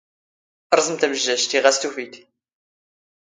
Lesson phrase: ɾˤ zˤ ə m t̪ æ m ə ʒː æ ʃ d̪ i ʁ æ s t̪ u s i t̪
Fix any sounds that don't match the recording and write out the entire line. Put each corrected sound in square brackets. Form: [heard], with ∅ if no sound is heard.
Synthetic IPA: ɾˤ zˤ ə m t̪ æ m ə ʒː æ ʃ [t̪] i ʁ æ s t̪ u [f] i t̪